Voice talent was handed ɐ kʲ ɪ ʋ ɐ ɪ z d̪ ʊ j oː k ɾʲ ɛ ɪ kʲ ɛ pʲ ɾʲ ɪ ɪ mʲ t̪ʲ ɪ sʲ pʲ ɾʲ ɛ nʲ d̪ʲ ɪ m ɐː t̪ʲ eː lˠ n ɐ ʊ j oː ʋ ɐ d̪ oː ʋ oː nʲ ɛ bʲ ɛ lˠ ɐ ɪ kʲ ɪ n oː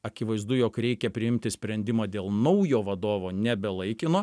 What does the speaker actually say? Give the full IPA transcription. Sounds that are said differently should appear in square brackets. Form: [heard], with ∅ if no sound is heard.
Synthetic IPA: ɐ kʲ ɪ ʋ ɐ ɪ z d̪ ʊ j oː k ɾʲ ɛ ɪ kʲ ɛ pʲ ɾʲ ɪ ɪ mʲ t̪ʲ ɪ sʲ pʲ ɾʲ ɛ nʲ d̪ʲ ɪ m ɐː [d̪ʲ] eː lˠ n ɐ ʊ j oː ʋ ɐ d̪ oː ʋ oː nʲ ɛ bʲ ɛ lˠ ɐ ɪ kʲ ɪ n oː

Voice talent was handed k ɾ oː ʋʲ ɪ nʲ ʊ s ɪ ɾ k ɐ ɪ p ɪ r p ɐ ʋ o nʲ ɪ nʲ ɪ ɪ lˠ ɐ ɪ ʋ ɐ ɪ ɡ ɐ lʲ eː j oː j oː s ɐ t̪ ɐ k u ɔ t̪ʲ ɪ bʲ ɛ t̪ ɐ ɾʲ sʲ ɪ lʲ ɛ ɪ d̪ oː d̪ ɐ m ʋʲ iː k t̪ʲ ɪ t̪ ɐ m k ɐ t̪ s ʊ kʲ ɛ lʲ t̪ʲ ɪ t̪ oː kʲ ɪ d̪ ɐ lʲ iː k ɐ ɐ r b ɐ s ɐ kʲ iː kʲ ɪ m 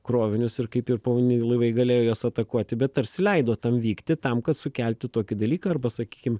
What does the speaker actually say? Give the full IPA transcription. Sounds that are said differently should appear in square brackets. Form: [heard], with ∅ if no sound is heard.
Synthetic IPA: k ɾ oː ʋʲ ɪ nʲ ʊ s ɪ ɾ k ɐ ɪ p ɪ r p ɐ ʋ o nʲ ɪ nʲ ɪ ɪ lˠ ɐ ɪ ʋ ɐ ɪ ɡ ɐ lʲ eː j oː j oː s ɐ t̪ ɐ k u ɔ t̪ʲ ɪ bʲ ɛ t̪ ɐ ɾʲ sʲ ɪ lʲ ɛ ɪ d̪ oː [t̪] ɐ m ʋʲ iː k t̪ʲ ɪ t̪ ɐ m k ɐ t̪ s ʊ kʲ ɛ lʲ t̪ʲ ɪ t̪ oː kʲ ɪ d̪ ɐ lʲ iː k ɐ ɐ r b ɐ s ɐ kʲ iː kʲ ɪ m

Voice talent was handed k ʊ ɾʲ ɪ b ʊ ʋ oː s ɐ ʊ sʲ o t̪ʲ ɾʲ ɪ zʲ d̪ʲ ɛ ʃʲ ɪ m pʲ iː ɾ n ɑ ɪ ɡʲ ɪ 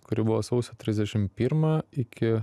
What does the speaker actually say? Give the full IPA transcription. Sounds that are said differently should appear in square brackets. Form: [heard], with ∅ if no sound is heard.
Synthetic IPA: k ʊ ɾʲ ɪ b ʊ ʋ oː s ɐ ʊ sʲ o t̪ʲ ɾʲ ɪ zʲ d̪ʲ ɛ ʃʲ ɪ m pʲ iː ɾ [m] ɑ ɪ [kʲ] ɪ

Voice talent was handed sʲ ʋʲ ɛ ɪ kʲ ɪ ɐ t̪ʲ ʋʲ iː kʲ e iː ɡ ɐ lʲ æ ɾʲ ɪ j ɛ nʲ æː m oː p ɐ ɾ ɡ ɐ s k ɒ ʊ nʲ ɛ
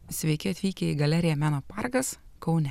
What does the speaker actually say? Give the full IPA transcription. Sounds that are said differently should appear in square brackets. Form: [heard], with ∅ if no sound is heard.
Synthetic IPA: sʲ ʋʲ ɛ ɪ kʲ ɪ ɐ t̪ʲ ʋʲ iː kʲ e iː ɡ ɐ lʲ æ ɾʲ ɪ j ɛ [mʲ] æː [n] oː p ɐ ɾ ɡ ɐ s k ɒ ʊ nʲ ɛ

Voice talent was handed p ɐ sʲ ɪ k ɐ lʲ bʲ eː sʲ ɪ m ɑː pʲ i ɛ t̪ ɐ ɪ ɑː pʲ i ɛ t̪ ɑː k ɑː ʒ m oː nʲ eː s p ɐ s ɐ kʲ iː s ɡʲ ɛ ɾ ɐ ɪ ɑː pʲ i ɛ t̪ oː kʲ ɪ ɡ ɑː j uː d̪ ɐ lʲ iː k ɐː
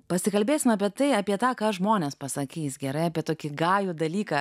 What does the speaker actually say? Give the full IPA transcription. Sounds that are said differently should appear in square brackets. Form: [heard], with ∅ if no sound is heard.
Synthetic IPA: p ɐ sʲ ɪ k ɐ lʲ bʲ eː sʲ ɪ m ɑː pʲ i ɛ t̪ ɐ ɪ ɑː pʲ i ɛ t̪ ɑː k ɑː ʒ m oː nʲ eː s p ɐ s ɐ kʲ iː s ɡʲ ɛ ɾ ɐ ɪ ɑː pʲ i ɛ t̪ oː kʲ ɪ ɡ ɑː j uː d̪ ɐ lʲ iː k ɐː

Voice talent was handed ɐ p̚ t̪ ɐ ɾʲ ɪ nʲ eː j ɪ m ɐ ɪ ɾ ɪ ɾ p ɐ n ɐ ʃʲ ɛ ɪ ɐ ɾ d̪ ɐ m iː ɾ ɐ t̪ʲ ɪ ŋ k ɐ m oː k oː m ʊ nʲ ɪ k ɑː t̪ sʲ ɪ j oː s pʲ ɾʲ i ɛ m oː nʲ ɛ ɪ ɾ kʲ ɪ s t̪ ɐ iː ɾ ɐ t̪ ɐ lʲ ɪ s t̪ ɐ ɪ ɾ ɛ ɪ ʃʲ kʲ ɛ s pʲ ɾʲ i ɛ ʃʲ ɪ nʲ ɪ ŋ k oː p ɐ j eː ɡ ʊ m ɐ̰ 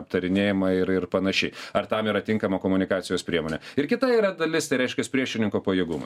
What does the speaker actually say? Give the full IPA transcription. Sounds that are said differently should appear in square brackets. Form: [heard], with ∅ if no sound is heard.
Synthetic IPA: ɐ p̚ t̪ ɐ ɾʲ ɪ nʲ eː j ɪ m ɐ ɪ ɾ ɪ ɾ p ɐ n ɐ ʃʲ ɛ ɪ ɐ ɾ [t̪] ɐ m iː ɾ ɐ t̪ʲ ɪ ŋ k ɐ m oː k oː m ʊ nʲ ɪ k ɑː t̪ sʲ ɪ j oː s pʲ ɾʲ i ɛ m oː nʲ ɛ ɪ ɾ kʲ ɪ [∅] t̪ ɐ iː ɾ ɐ [d̪] ɐ lʲ ɪ s t̪ ɐ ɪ ɾ ɛ ɪ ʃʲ kʲ ɛ s pʲ ɾʲ i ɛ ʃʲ ɪ nʲ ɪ ŋ k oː p ɐ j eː ɡ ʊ m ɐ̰

